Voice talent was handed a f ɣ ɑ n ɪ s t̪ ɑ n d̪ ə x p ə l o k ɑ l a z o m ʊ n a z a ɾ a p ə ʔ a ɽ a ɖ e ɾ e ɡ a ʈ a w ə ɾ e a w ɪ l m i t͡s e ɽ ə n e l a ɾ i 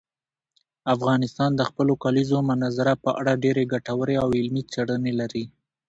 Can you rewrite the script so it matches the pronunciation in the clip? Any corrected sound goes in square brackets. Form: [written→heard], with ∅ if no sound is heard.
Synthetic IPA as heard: a f ɣ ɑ n ɪ s t̪ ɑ n d̪ ə x p ə l o k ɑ l [a→i] z o m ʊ n a z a ɾ a p ə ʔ a ɽ a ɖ e ɾ e ɡ a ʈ a w ə ɾ e a w ɪ l m i t͡s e ɽ ə n e l a ɾ i